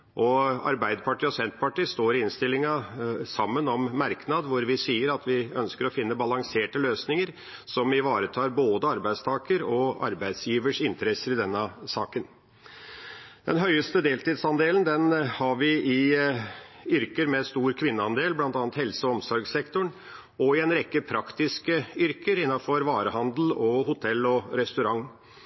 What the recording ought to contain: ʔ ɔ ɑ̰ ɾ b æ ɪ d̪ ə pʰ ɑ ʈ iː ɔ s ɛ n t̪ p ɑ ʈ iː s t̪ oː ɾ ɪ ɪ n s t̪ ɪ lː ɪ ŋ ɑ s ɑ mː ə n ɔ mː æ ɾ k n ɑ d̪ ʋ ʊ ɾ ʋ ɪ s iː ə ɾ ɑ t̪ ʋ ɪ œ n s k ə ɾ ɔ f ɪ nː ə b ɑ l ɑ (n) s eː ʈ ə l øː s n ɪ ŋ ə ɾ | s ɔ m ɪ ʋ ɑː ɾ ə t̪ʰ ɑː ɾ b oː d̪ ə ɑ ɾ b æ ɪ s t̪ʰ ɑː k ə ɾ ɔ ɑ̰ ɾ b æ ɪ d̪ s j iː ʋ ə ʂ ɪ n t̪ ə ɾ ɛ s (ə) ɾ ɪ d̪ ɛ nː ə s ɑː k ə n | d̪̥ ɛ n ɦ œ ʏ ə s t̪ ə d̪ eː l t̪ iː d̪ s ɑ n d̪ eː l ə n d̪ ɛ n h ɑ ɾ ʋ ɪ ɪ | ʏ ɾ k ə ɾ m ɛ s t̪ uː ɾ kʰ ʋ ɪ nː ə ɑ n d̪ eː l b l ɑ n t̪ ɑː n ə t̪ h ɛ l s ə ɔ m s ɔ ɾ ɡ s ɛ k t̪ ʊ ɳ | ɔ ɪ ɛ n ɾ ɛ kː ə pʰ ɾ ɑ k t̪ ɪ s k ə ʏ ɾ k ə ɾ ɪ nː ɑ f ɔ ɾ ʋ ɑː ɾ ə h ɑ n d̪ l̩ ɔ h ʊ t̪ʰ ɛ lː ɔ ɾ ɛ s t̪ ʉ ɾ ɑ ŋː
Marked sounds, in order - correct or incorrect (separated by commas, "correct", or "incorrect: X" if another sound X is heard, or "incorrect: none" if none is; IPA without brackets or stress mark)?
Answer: incorrect: ŋ, correct